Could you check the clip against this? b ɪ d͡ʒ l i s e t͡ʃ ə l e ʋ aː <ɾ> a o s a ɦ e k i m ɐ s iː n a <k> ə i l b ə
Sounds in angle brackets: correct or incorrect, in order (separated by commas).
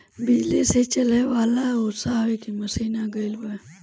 incorrect, incorrect